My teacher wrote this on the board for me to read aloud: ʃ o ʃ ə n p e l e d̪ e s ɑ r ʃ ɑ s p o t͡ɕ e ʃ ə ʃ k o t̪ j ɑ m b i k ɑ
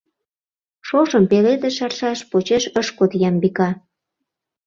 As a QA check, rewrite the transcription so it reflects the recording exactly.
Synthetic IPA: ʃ o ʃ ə m p e l e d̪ e ʃ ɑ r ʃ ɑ ʃ p o t͡ɕ e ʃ ə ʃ k o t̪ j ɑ m b i k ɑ